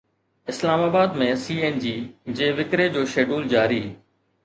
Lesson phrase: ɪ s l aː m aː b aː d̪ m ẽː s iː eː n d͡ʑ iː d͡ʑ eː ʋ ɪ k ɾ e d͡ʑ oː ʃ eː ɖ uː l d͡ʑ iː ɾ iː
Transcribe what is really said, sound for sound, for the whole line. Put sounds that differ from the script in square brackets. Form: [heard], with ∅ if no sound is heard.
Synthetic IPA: ɪ s l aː m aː b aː d̪ m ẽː s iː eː n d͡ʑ iː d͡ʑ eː ʋ ɪ k ɾ e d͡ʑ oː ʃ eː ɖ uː l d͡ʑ [aː] ɾ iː